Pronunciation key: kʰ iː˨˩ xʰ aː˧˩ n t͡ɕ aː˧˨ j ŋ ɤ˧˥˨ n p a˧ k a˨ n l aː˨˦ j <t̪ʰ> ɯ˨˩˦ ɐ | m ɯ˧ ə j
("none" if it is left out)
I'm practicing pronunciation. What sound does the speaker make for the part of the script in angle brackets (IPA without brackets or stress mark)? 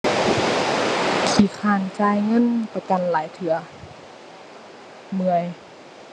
t̪ʰ